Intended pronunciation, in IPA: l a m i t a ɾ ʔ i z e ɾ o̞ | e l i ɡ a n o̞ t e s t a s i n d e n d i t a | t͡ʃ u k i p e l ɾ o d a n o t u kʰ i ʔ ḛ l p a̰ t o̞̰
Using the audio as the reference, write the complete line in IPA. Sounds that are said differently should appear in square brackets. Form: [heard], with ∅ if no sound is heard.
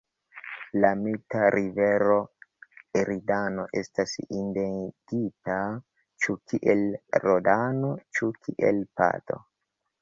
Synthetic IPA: l a m i t a ɾ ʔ i [v] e ɾ o̞ | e [ɾ] i [d] a n o̞ [ʔ] e s t a s i n d e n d i t a | t͡ʃ u k i [ʔ] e l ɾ o d a n o [t͡ʃ] u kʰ i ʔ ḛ l p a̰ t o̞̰